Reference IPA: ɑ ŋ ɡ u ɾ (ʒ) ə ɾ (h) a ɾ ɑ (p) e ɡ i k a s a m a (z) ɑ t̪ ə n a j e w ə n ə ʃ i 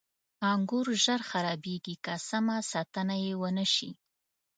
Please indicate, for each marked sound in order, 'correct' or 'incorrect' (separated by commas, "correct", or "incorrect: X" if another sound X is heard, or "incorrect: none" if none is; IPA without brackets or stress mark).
correct, incorrect: x, incorrect: b, incorrect: s